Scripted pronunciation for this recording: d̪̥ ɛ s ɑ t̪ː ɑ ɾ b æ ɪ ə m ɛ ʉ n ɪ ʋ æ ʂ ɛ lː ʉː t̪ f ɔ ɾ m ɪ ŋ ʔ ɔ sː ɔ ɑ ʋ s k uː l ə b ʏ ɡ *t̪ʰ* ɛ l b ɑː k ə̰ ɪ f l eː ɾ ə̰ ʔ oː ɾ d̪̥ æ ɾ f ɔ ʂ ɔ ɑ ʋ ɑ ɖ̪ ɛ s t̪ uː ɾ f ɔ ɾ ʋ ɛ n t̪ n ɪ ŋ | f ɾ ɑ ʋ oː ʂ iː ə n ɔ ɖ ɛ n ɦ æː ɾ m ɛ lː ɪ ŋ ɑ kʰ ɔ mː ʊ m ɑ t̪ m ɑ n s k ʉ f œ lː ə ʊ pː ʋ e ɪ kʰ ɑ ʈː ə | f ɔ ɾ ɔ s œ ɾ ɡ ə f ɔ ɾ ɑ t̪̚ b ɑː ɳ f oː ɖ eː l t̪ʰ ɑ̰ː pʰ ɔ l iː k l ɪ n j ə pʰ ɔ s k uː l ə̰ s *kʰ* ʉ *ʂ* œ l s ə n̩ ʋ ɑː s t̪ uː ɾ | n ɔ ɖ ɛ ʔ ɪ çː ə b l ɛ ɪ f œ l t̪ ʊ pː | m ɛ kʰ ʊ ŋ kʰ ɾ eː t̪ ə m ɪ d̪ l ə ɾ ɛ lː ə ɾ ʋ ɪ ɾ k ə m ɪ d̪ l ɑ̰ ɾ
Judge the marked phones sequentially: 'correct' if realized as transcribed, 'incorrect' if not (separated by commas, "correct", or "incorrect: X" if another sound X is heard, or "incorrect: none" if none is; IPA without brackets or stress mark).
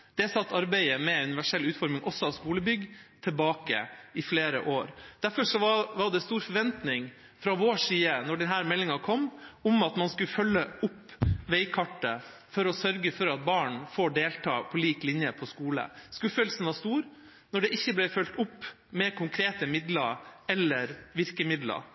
correct, incorrect: k, incorrect: f